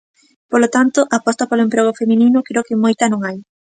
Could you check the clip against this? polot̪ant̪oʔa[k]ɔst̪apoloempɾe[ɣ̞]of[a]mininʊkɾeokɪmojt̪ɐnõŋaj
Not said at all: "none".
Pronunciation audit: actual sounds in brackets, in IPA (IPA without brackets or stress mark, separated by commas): p, ɣ̞, e